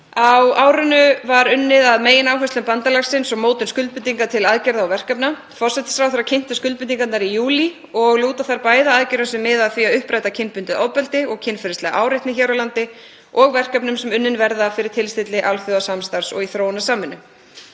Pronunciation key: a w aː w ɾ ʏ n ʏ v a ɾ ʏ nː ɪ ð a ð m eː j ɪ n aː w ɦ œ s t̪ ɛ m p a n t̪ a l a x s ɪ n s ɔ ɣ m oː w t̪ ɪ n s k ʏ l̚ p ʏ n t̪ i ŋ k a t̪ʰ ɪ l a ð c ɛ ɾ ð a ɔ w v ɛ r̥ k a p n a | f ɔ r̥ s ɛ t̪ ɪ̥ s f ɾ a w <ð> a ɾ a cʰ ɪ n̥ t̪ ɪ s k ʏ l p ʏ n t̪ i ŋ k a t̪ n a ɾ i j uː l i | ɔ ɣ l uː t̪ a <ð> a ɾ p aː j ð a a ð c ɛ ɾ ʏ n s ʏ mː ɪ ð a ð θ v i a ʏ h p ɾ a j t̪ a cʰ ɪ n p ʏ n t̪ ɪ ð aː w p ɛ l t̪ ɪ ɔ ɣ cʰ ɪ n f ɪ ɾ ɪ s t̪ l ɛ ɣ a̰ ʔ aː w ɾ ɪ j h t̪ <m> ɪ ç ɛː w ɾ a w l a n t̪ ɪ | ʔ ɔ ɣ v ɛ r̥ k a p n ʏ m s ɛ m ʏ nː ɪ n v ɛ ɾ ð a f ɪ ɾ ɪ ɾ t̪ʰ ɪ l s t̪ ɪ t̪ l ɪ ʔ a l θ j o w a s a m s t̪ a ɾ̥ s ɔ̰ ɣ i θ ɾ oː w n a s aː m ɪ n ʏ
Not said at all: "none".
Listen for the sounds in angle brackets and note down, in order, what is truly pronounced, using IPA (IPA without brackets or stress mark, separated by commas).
θ, θ, n